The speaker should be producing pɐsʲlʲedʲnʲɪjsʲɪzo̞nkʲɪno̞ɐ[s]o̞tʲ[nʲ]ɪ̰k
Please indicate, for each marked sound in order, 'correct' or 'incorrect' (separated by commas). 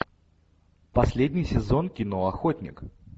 incorrect, correct